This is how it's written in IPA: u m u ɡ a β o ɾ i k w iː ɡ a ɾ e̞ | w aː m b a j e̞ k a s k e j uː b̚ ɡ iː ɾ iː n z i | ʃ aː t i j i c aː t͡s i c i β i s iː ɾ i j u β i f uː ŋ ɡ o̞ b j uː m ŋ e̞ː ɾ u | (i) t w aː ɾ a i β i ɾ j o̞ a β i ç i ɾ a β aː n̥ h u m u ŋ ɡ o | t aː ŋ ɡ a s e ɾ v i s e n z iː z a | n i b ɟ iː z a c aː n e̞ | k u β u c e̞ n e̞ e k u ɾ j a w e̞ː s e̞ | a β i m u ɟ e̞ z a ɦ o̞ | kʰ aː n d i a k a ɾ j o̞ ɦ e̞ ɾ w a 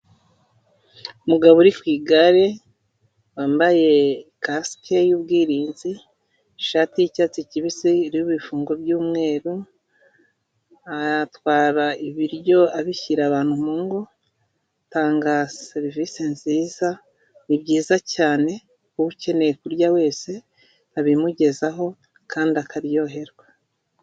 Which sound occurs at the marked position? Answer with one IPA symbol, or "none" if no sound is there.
a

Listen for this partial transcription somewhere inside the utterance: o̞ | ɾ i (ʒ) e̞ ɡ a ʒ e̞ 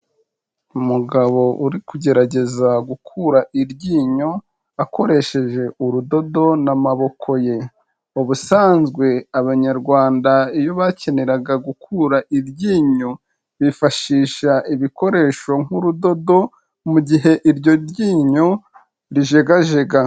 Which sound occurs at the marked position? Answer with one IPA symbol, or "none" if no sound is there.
ʒ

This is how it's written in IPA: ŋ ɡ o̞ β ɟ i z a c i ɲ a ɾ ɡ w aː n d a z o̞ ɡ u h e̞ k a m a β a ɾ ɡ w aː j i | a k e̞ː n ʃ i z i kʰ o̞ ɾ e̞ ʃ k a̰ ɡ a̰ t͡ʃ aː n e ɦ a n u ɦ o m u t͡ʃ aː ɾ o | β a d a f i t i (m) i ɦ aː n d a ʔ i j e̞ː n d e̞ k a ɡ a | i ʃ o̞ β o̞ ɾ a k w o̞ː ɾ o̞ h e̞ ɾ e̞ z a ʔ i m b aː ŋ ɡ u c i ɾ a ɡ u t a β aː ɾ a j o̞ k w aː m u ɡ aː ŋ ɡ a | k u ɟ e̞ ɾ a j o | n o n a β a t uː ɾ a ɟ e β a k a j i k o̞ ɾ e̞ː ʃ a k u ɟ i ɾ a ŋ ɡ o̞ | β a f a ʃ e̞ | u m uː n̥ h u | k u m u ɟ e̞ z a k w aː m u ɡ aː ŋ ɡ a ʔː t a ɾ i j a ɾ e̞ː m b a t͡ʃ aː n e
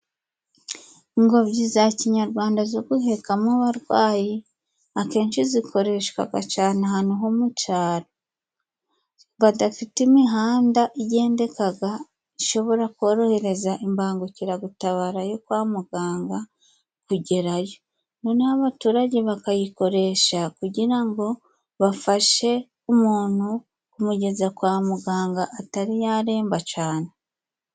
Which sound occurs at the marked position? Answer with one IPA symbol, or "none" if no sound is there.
m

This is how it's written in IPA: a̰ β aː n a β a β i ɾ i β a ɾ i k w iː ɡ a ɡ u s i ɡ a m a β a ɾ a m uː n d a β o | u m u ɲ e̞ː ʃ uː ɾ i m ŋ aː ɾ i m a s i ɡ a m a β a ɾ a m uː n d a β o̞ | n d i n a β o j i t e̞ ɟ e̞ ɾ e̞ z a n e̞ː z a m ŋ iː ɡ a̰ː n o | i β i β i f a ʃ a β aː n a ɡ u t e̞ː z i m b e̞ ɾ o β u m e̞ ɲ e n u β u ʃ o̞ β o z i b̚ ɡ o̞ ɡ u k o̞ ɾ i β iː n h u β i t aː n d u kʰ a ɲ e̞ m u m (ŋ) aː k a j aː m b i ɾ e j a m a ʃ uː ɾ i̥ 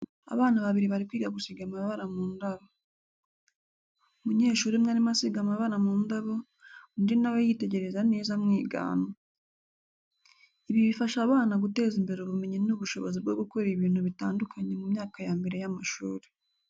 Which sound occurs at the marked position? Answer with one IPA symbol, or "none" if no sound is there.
ɲ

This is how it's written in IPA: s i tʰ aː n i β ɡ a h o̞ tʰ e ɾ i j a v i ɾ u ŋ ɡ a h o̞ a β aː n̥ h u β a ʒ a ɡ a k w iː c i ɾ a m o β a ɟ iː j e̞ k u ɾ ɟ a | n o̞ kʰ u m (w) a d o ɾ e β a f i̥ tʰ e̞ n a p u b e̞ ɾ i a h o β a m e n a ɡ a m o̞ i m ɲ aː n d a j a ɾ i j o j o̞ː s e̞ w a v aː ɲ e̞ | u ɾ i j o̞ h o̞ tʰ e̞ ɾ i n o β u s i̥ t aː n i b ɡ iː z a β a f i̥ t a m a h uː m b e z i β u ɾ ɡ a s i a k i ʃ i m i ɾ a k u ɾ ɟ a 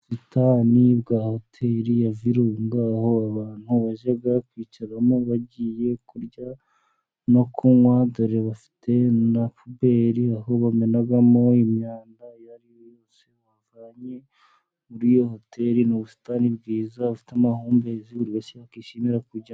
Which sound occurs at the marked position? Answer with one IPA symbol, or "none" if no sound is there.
w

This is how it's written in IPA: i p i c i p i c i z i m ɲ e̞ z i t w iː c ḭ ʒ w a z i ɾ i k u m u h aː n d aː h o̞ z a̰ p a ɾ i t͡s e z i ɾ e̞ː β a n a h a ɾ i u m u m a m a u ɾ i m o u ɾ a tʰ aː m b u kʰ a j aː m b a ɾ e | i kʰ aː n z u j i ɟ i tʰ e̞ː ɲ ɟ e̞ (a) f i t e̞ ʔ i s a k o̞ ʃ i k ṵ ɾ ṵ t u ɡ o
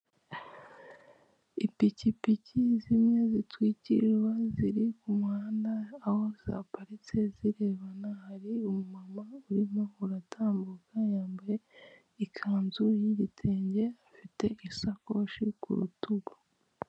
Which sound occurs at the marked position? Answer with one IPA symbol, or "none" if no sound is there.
a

